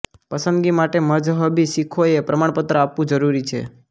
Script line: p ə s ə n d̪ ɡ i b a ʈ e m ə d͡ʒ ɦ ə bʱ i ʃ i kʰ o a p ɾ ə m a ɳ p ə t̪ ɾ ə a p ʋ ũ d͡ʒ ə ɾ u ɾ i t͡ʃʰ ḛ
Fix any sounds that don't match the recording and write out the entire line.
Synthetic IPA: p ə s ə n d̪ ɡ i m a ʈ e m ə d͡ʒ ɦ ə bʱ i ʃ i kʰ o e p ɾ ə m a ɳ p ə t̪ ɾ ə a p ʋ ũ d͡ʒ ə ɾ u ɾ i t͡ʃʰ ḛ